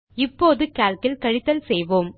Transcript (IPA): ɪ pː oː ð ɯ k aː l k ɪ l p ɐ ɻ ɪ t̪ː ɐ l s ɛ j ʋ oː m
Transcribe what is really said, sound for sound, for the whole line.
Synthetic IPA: ɪ pː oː ð ɯ k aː l k ɪ l k ɐ ɻ ɪ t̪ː ɐ l s ɛ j ʋ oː m